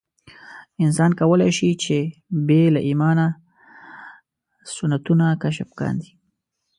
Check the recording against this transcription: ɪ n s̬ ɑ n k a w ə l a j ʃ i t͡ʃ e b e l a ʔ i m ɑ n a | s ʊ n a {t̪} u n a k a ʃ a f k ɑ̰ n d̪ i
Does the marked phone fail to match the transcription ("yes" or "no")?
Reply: no